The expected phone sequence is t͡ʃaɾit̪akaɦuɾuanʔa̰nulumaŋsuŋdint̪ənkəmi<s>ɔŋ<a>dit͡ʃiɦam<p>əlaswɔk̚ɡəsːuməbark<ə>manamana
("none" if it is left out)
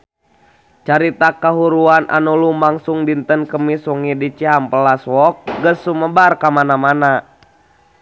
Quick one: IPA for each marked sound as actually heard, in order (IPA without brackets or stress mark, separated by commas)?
s, i, p, a